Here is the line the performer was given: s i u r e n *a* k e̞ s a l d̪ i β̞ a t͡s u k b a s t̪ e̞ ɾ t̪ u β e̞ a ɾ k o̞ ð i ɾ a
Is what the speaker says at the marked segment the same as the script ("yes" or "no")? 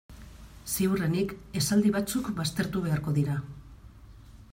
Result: no